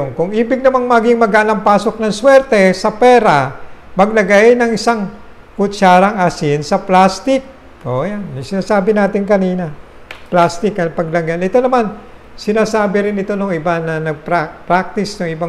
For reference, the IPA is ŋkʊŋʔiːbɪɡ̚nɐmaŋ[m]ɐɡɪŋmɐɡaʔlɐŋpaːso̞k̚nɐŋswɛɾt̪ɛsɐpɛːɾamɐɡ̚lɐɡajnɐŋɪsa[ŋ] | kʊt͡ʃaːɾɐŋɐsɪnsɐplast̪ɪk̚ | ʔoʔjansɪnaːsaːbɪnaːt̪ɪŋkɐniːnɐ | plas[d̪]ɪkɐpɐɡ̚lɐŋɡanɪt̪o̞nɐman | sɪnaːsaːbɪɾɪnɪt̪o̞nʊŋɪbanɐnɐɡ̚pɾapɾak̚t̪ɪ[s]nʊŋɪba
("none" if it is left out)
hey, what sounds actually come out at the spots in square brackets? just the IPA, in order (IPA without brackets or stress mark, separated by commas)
m, ŋ, t̪, s